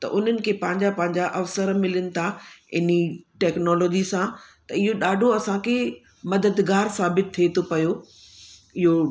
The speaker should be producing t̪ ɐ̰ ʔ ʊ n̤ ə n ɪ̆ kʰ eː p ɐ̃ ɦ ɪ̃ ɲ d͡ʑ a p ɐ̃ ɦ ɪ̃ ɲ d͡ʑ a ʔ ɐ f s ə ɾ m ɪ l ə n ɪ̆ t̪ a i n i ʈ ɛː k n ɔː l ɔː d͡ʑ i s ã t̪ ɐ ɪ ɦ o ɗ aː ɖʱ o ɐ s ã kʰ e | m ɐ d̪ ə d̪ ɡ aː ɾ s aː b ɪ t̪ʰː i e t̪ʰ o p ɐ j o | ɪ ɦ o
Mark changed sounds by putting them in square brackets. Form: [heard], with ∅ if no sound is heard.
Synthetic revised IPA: t̪ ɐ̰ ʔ ʊ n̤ ə n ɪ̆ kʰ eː p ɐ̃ ɦ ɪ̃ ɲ d͡ʑ a p ɐ̃ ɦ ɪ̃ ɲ d͡ʑ a ʔ ɐ f s ə ɾ m ɪ l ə n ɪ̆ [t̪ʰ] a [ɪ] n i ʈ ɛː k n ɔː l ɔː d͡ʑ i s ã t̪ ɐ ɪ ɦ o ɗ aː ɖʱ o ɐ s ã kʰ e | m ɐ d̪ ə d̪ ɡ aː ɾ s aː b ɪ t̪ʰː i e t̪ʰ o p ɐ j o | ɪ ɦ o